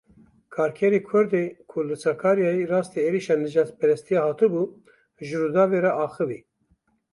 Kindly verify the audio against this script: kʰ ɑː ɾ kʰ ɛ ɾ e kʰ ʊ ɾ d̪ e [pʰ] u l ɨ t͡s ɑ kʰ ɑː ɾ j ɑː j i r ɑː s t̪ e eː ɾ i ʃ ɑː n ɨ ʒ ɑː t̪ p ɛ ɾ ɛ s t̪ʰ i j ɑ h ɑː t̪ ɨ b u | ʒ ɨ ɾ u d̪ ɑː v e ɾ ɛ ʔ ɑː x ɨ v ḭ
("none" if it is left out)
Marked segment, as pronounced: kʰ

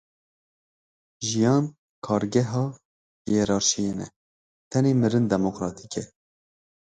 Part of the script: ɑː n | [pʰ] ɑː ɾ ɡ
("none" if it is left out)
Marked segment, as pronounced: kʰ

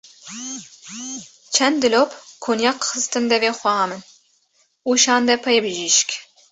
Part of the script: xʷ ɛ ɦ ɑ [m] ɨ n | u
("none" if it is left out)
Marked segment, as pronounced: m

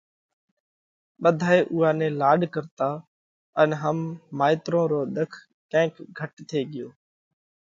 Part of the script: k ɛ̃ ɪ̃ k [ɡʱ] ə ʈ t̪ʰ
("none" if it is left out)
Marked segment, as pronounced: ɡʱ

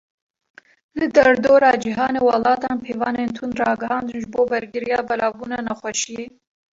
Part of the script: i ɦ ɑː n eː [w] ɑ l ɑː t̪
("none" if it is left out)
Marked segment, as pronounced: w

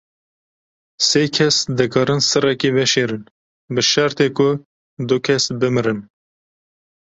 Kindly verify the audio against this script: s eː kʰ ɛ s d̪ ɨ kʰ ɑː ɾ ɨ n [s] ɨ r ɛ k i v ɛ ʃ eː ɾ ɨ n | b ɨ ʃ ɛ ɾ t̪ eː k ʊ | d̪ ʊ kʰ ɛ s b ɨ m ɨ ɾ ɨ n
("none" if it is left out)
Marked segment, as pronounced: s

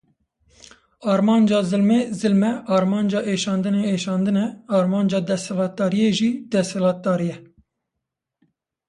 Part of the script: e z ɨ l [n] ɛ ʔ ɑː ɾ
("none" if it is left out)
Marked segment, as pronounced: m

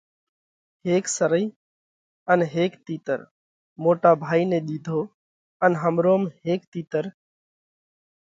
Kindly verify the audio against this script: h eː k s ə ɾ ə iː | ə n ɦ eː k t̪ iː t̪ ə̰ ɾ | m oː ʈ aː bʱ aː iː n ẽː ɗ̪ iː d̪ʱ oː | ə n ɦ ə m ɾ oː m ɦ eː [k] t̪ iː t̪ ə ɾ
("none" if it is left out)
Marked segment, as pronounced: k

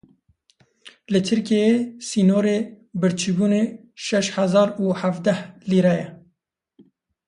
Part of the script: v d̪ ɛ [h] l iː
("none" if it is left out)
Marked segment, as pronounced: h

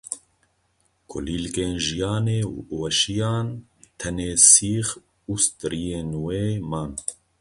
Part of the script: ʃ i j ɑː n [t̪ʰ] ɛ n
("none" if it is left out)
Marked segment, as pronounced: t̪ʰ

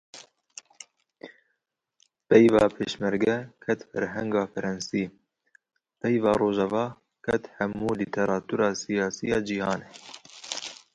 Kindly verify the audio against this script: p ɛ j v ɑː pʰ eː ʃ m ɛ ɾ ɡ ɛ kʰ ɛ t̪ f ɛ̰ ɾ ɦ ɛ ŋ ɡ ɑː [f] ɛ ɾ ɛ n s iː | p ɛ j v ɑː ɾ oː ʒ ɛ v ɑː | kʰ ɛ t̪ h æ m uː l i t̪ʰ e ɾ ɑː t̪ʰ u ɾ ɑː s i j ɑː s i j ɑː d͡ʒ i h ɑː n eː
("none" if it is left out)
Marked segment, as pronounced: f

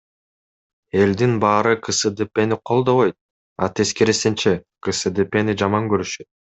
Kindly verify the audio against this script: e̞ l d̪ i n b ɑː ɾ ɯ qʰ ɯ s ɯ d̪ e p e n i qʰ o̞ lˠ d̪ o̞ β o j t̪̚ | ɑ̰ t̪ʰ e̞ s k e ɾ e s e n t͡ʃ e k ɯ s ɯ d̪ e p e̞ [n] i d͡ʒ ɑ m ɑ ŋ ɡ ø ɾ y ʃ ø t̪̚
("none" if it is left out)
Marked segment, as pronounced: n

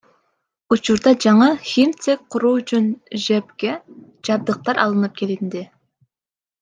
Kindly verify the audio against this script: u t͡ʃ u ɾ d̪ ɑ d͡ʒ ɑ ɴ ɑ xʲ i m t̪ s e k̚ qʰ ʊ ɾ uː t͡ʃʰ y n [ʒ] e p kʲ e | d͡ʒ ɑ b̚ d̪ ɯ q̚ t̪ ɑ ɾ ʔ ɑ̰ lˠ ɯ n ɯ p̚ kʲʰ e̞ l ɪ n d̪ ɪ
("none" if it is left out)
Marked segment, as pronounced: ʒ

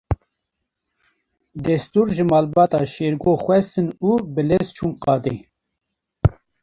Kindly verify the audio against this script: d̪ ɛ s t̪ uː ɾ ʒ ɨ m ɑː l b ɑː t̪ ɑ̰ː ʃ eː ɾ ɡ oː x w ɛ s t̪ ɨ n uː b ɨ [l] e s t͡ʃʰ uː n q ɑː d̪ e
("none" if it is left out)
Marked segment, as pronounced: l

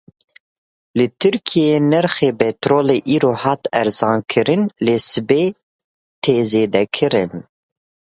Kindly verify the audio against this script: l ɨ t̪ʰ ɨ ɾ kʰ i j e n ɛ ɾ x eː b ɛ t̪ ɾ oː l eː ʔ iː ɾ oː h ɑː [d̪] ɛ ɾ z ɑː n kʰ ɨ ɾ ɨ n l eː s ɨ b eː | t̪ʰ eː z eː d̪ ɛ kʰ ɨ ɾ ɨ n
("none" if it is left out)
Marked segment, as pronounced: t̪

